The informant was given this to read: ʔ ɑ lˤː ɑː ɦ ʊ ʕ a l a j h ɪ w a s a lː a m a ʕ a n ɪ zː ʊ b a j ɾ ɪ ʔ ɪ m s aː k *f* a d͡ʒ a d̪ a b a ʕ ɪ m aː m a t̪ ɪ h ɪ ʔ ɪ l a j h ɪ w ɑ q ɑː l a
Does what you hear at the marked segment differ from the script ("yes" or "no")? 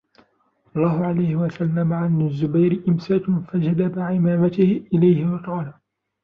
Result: no